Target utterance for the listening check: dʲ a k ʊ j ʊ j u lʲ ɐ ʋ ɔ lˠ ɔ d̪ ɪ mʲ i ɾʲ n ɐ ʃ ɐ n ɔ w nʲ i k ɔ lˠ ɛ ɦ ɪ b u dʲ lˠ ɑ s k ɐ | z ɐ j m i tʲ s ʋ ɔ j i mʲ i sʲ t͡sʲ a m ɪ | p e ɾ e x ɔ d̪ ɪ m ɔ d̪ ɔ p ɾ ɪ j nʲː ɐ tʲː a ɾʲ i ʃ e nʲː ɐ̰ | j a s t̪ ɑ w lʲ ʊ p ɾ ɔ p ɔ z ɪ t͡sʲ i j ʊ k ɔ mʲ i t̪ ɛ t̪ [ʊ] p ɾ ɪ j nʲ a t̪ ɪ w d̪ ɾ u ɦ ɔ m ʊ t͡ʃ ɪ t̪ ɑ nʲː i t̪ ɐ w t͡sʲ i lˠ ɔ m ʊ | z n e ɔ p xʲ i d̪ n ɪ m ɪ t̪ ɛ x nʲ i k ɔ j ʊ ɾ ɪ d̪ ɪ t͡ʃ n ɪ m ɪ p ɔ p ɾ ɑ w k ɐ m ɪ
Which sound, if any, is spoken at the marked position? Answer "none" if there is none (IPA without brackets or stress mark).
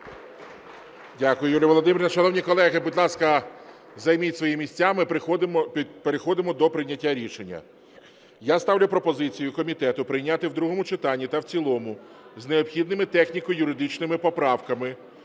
ʊ